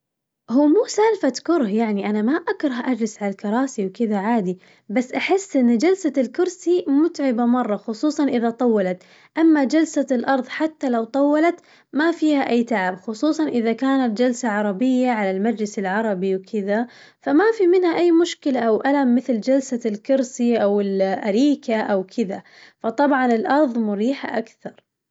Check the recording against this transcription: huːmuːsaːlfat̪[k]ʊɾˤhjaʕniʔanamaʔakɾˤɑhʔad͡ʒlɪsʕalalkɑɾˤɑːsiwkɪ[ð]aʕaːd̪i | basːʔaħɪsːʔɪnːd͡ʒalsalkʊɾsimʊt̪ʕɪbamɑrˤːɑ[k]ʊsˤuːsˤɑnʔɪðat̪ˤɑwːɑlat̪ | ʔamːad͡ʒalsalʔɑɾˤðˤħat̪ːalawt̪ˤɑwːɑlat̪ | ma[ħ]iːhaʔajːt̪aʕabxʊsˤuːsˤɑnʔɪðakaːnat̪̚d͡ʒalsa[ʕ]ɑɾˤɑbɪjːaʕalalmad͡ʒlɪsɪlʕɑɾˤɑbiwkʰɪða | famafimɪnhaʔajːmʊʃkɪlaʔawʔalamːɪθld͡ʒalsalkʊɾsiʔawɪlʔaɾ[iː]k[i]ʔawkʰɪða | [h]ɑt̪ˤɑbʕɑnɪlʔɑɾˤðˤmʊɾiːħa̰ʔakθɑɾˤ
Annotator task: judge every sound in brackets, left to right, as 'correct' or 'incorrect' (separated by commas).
correct, correct, incorrect, incorrect, correct, correct, incorrect, incorrect